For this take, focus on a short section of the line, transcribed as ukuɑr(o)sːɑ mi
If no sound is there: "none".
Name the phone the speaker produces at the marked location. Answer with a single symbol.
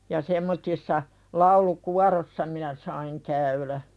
o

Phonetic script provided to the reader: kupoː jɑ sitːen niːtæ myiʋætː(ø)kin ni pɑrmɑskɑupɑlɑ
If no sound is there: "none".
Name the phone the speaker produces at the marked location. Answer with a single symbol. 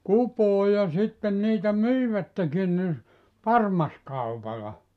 e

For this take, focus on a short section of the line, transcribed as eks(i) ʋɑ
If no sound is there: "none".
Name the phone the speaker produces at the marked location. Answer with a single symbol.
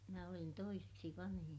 i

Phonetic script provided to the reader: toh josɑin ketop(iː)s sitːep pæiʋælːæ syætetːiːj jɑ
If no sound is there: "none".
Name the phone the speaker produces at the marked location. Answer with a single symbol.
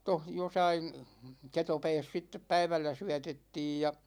ɛː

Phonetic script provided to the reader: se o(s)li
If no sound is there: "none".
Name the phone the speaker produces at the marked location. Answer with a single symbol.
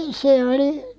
none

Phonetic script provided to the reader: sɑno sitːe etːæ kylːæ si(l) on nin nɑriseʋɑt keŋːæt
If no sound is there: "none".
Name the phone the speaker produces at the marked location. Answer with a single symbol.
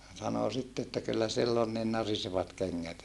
lː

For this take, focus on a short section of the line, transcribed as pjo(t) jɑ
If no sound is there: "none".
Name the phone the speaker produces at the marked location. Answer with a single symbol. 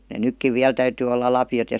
t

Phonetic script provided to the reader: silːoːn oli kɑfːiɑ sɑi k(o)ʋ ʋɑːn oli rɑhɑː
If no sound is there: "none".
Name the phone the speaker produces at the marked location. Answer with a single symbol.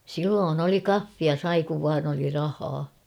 u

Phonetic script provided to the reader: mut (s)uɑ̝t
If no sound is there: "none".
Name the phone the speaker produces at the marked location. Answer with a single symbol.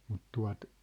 t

